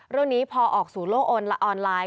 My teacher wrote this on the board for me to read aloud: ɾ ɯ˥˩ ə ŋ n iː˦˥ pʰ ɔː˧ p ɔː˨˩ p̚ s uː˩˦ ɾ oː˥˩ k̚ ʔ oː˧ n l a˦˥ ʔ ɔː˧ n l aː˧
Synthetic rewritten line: ɾ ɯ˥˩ ə ŋ n iː˦˥ pʰ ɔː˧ ʔ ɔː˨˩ k̚ s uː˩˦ l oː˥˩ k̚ ʔ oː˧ n l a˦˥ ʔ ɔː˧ n l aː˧